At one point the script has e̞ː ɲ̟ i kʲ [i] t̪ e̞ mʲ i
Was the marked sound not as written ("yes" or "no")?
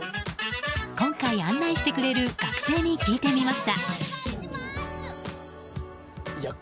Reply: yes